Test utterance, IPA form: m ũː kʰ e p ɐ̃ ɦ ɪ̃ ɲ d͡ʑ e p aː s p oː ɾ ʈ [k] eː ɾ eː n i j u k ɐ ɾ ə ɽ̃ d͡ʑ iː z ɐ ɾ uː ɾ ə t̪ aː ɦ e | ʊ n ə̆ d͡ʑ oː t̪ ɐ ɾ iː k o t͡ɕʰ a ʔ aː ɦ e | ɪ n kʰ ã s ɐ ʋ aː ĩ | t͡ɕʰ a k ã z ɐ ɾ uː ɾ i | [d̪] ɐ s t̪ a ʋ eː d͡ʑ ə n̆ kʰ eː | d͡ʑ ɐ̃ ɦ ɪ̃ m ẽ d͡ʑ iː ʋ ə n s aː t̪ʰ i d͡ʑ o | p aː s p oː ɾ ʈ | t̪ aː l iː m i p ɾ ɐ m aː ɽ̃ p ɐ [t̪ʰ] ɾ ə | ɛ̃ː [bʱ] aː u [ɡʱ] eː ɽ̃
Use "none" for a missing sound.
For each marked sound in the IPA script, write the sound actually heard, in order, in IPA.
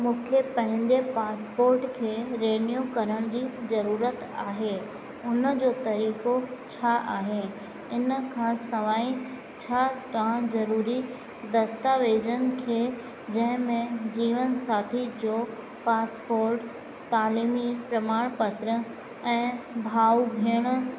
kʰ, d̪, t̪, bʱ, bʱ

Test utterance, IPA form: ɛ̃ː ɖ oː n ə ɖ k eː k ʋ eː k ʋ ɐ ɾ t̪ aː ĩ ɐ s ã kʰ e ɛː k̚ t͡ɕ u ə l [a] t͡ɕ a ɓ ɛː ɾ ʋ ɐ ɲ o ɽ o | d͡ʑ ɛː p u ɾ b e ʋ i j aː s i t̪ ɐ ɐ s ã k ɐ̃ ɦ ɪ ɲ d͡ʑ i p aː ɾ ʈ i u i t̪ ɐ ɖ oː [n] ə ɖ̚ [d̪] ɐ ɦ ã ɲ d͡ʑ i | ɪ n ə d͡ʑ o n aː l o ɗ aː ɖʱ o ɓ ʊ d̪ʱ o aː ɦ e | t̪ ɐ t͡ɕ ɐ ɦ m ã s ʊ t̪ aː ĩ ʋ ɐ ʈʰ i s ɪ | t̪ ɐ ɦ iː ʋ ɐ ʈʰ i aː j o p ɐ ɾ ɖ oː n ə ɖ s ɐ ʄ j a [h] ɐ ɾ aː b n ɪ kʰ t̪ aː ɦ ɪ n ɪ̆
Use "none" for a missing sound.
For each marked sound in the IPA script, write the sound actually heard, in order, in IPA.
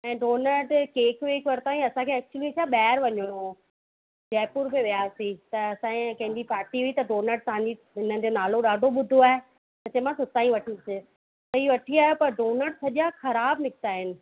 i, n, t̪, x

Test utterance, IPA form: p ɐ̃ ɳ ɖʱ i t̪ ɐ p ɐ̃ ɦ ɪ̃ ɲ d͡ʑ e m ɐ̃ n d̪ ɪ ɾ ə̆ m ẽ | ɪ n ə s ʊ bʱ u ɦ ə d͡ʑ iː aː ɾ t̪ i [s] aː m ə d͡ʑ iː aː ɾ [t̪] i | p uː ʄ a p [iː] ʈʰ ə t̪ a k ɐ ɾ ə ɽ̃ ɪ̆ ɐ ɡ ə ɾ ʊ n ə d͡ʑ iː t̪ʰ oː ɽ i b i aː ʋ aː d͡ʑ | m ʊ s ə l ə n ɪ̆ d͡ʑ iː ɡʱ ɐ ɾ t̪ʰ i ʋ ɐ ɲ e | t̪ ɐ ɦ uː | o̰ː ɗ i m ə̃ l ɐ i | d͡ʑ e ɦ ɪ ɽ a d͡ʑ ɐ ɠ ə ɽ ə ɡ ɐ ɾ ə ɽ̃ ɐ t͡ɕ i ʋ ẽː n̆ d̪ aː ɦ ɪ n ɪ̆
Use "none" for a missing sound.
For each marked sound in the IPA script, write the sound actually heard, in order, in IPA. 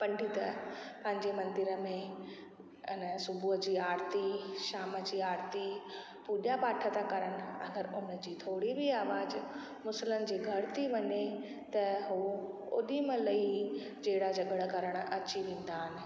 ʃ, t̪, aː

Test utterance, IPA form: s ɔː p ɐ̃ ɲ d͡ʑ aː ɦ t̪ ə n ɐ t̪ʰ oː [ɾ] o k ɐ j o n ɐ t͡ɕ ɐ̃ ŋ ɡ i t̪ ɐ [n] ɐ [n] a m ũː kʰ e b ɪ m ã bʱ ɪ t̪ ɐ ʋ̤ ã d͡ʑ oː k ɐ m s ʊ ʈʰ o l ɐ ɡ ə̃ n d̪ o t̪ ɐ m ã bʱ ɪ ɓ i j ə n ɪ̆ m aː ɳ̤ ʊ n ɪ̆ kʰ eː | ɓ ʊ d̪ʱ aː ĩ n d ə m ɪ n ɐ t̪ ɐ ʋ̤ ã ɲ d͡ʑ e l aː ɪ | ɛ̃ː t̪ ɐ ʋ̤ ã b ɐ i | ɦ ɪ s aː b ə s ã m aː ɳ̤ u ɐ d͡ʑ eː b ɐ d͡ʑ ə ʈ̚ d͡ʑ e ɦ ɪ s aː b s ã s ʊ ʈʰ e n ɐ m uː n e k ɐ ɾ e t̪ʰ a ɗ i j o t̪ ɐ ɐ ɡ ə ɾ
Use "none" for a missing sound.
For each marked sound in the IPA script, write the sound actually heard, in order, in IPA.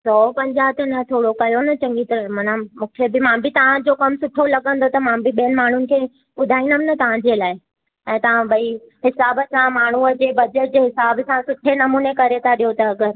ɽ, m, n

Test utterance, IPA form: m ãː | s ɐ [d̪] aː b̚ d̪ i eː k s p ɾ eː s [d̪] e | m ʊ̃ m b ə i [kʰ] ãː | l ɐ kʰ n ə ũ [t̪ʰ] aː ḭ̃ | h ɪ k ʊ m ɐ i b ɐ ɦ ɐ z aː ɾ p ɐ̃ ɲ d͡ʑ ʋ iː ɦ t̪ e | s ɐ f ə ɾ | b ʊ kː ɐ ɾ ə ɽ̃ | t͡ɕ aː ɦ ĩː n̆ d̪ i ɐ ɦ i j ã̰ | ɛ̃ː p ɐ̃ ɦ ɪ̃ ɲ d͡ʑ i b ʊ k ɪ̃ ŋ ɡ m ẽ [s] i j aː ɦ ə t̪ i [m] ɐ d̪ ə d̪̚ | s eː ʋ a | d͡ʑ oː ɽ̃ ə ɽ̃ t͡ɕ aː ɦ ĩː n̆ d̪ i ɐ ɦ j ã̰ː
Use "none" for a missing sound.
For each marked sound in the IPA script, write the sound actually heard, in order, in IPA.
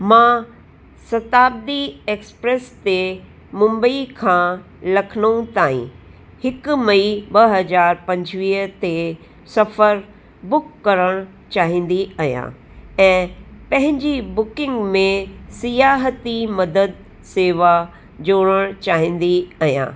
t̪, t̪, kʰ, t̪, s, m

